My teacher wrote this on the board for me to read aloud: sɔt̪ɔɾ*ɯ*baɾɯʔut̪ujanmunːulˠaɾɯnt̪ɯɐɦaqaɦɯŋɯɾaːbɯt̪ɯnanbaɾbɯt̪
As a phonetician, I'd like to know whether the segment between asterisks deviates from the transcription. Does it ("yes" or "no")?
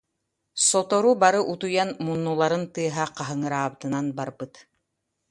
yes